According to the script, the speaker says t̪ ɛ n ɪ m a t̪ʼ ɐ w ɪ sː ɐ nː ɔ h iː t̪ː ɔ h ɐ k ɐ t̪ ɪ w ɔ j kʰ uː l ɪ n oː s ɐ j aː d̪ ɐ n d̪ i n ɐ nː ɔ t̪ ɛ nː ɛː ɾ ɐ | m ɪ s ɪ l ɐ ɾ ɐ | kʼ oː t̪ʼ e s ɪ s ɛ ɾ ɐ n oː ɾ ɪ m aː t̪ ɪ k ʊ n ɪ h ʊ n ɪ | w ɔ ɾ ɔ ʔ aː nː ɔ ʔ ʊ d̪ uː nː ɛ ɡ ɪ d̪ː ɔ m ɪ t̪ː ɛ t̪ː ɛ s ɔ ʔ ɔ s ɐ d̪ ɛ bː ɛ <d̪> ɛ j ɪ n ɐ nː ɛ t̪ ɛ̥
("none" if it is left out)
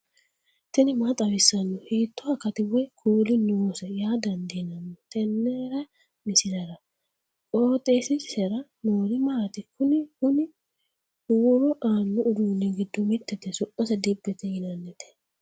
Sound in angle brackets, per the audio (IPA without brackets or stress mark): t̪